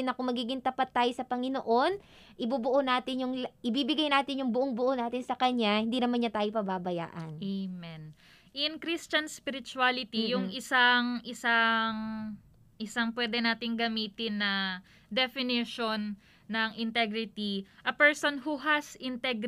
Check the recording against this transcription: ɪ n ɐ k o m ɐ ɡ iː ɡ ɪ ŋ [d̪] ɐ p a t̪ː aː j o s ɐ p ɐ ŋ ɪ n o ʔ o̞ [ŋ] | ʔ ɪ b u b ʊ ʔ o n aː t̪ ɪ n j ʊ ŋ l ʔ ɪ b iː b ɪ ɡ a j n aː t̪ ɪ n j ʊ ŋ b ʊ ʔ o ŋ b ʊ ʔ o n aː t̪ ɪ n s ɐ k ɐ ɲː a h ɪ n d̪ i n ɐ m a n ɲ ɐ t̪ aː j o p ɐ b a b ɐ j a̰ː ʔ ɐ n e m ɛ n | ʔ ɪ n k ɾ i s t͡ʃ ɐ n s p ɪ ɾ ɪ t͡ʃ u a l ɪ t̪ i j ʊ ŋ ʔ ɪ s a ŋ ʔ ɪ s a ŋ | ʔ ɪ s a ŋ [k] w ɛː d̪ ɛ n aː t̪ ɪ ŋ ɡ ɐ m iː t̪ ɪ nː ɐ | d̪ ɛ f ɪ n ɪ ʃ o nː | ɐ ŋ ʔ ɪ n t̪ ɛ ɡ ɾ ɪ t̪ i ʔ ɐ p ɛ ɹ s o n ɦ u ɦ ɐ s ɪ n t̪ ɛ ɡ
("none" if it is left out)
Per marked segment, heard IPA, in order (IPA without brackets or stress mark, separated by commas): t̪, n, p